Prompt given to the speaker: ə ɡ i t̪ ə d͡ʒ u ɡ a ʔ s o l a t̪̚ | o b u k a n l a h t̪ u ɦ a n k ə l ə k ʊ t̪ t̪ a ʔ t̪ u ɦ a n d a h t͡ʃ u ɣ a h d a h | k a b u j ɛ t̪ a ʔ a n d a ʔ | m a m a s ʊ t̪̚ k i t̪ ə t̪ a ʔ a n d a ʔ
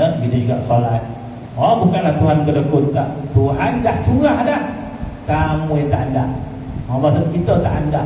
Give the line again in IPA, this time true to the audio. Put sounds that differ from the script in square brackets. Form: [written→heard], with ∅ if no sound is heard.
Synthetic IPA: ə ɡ i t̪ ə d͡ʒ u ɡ a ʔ s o l a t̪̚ | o b u k a n l a h t̪ u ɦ a n k ə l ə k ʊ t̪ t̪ a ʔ t̪ u ɦ a n d a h t͡ʃ u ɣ a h d a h | k a [b→m] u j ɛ t̪ a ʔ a n d a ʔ | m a m a s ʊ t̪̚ k i t̪ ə t̪ a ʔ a n d a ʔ